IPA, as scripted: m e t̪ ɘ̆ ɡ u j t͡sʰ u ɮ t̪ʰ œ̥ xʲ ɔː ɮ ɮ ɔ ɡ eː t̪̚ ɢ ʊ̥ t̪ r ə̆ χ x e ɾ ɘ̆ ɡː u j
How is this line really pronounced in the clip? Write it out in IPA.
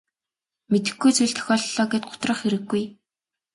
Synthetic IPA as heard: m e t̪ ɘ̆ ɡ u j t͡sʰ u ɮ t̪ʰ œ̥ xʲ ɔː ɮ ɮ ɔː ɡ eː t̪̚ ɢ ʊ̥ t̪ r ə̆ χ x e ɾ ɘ̆ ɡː u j